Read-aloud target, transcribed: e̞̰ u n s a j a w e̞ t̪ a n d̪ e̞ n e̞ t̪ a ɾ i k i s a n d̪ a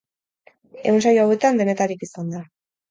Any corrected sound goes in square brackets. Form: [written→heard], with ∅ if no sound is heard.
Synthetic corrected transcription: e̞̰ u n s a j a w e̞ t̪ a n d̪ e̞ n e̞ t̪ a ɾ i k i s a n d̪ a